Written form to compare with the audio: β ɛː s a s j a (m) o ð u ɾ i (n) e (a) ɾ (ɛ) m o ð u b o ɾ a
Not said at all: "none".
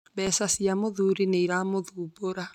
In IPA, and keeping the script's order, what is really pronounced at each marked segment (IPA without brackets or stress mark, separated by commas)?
m, n, i, a